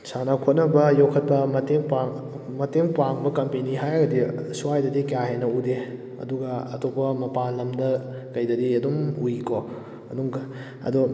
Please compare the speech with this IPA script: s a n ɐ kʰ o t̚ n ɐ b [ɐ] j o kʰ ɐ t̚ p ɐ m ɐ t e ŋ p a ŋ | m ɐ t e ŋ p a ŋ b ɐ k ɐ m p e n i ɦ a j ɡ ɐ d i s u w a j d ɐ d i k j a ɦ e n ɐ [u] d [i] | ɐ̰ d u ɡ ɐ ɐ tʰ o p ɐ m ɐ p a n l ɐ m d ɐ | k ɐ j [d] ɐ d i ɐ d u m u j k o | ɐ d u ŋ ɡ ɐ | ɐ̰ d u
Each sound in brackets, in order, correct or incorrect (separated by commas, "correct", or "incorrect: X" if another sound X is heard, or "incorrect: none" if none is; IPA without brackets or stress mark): correct, correct, incorrect: e, correct